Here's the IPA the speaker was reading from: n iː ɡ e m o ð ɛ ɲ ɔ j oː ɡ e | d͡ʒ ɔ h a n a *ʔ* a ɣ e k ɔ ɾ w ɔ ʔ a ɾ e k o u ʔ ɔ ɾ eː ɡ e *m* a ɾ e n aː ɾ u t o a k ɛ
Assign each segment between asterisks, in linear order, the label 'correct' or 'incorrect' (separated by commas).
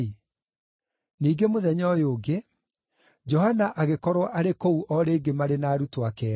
correct, correct